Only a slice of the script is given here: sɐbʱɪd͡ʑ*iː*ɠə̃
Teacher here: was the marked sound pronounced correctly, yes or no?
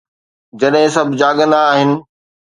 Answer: no